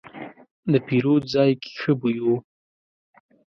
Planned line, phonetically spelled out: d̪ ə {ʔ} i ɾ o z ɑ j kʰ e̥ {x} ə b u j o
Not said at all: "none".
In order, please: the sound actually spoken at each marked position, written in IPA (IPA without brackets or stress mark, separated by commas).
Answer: p, x